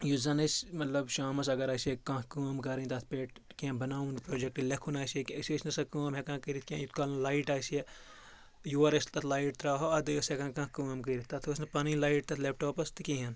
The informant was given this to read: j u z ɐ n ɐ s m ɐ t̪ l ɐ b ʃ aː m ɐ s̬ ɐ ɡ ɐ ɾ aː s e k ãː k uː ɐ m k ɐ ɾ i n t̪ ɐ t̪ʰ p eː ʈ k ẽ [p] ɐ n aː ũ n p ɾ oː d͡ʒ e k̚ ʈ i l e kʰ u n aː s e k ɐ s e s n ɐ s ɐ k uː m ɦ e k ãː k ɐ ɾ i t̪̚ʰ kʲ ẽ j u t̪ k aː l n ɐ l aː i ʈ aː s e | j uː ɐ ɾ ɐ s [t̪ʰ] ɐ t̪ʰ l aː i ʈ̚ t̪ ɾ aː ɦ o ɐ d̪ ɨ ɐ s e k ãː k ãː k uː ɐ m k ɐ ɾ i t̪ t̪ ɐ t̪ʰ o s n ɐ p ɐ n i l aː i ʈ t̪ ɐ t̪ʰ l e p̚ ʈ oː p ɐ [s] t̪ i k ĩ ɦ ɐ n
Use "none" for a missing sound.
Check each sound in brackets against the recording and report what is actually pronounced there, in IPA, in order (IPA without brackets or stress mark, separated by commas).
b, t̪, s